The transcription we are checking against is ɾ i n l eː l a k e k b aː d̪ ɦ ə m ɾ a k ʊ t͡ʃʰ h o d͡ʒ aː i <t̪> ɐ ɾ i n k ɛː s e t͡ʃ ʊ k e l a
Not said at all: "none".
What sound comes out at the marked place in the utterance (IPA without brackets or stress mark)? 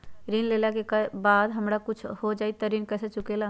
t̪